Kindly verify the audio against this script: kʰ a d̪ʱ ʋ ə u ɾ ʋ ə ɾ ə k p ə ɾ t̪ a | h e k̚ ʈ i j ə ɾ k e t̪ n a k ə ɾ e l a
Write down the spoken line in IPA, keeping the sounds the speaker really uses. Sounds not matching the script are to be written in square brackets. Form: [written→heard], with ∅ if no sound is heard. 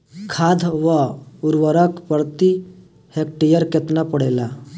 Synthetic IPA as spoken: kʰ a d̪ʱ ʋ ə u ɾ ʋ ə ɾ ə k p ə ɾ t̪ [a→i] | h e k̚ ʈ i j ə ɾ k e t̪ n a [k→p] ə [ɾ→ɽ] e l a

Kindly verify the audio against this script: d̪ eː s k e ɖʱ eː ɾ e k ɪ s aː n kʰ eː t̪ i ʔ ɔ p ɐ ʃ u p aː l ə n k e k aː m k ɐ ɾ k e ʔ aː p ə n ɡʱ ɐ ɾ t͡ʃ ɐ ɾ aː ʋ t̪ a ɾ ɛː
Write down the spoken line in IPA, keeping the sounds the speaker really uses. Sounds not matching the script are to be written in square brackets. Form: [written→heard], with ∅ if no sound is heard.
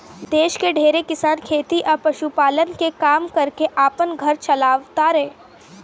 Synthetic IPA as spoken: d̪ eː [s→ʃ] k e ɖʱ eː ɾ e k ɪ s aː n kʰ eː t̪ i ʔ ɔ p ɐ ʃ u p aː l ə n k e k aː m k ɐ ɾ k e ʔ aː p ə n ɡʱ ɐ ɾ t͡ʃ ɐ [ɾ→l] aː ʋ t̪ a ɾ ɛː

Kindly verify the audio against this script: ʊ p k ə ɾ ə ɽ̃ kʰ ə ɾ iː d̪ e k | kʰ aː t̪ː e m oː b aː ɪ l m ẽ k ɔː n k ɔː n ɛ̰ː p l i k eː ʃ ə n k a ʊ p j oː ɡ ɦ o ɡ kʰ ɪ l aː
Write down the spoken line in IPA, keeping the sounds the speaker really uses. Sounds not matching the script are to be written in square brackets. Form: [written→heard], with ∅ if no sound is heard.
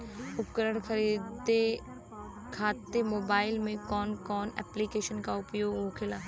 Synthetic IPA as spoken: ʊ p k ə ɾ ə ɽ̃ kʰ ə ɾ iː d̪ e [k→∅] | kʰ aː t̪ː e m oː b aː ɪ l m ẽ k ɔː n k ɔː n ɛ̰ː p l i k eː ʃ ə n k a ʊ p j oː ɡ ɦ o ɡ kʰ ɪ l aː

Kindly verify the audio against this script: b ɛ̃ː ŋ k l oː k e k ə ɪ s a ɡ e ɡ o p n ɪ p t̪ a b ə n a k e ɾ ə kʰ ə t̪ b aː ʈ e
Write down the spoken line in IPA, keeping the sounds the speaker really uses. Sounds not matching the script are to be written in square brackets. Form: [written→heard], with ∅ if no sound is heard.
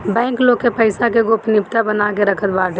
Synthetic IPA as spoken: b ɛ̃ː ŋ k l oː k e [k→p] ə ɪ s a [ɡ→k] e ɡ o p n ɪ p t̪ a b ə n a k e ɾ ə kʰ ə t̪ b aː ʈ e

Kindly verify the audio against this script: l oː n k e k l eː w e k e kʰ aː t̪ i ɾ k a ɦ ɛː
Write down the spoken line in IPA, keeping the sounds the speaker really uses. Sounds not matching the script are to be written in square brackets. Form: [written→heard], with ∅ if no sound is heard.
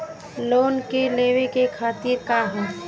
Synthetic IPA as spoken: l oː n k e [k→∅] l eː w e k e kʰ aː t̪ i ɾ k a ɦ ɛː

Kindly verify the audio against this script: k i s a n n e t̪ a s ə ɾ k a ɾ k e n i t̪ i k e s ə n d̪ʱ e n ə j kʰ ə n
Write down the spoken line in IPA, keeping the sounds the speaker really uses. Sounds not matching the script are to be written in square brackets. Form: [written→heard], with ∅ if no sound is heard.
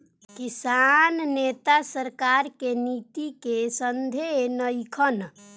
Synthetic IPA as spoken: k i s a n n e t̪ a s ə ɾ k a ɾ k e n i t̪ i k e s ə n d̪ʱ e n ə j kʰ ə n

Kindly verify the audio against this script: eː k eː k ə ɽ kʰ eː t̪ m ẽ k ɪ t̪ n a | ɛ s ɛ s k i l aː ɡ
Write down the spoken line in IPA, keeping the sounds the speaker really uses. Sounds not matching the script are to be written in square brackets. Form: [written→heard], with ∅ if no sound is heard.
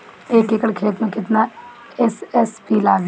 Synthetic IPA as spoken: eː k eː k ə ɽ kʰ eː t̪ m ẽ k ɪ t̪ n a | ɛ s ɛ s [k→p] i l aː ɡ

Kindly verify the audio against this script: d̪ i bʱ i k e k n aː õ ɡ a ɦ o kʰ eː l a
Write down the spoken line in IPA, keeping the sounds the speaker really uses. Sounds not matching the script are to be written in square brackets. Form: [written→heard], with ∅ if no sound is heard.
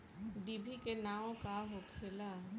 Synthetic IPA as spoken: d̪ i bʱ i k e [k→∅] n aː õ [ɡ→k] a ɦ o kʰ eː l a

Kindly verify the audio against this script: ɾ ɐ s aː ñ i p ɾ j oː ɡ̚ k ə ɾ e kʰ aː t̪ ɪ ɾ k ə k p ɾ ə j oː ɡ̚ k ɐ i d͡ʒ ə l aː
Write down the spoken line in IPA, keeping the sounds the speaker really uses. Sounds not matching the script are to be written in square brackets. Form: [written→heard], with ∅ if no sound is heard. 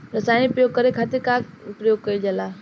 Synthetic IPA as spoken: ɾ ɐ s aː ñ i p ɾ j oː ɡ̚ k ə ɾ e kʰ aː t̪ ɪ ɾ k [ə→a] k p ɾ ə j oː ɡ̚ k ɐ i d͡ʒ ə l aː

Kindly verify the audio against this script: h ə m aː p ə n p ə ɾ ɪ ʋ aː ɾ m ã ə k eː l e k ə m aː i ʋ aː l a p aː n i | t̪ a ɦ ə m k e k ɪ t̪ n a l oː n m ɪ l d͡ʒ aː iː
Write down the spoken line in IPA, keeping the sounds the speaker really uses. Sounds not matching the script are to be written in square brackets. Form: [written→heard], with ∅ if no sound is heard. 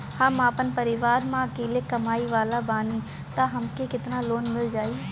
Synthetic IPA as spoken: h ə m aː p ə n p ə ɾ ɪ ʋ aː ɾ m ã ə k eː l e k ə m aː i ʋ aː l a [p→b] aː n i | t̪ a ɦ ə m k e k ɪ t̪ n a l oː n m ɪ l d͡ʒ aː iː

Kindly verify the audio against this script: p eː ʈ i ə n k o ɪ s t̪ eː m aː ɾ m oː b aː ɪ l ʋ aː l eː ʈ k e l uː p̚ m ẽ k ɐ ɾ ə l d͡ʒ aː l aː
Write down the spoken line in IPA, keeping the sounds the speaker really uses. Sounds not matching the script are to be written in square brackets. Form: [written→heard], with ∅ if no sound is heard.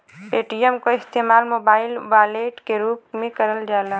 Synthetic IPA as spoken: p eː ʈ i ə [n→m] k o ɪ s t̪ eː m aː [ɾ→l] m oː b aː ɪ l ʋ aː l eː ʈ k e [l→ɾ] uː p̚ m ẽ k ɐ ɾ ə l d͡ʒ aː l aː

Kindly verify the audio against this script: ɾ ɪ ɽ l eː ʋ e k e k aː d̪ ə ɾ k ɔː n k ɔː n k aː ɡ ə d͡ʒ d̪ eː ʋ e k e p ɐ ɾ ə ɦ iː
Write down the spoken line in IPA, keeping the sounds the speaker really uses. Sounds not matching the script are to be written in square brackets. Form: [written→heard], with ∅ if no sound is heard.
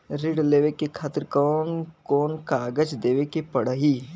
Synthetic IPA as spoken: ɾ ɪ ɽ l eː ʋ e k e [k→kʰ] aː [d̪→t̪] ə ɾ k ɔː n k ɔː n k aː ɡ ə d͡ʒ d̪ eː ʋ e k e p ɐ [ɾ→ɽ] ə ɦ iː

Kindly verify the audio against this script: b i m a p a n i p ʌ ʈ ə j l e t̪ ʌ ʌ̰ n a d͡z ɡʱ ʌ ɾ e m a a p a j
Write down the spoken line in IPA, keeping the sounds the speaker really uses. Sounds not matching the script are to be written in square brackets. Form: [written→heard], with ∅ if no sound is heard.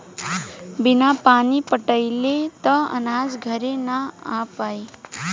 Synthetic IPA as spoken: b i [m→n] a p a n i p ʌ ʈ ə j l e t̪ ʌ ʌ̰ n a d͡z ɡʱ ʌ ɾ e [m→n] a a p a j

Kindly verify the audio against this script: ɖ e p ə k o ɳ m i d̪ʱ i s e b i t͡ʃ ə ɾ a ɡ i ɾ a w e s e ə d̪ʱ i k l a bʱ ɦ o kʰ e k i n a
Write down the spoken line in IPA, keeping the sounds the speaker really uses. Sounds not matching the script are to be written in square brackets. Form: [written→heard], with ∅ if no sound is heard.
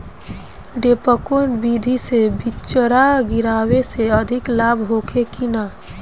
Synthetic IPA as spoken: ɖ e p ə k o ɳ [m→b] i d̪ʱ i s e b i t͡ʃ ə ɾ a ɡ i ɾ a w e s e ə d̪ʱ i k l a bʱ ɦ o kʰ e k i n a

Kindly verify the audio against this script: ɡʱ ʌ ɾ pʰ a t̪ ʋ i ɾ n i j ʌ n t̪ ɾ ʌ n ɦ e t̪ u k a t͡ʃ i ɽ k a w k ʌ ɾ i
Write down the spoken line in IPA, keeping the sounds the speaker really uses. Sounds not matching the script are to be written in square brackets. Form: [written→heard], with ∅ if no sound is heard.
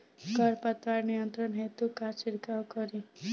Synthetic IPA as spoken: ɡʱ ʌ ɾ [pʰ→p] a t̪ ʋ [i→a] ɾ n i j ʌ n t̪ ɾ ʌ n ɦ e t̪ u k a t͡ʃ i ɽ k a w k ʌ ɾ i

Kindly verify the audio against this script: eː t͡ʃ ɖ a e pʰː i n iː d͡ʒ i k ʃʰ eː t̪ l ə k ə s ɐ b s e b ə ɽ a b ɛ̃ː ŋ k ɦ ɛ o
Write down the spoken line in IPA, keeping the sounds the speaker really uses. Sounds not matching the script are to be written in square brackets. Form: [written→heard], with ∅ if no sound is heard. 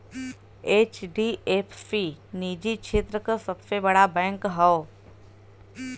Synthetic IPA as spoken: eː t͡ʃ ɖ [a→i] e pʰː i n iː d͡ʒ i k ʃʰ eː t̪ [l→ɾ] ə k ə s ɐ b s e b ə ɽ a b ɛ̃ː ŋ k ɦ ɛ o

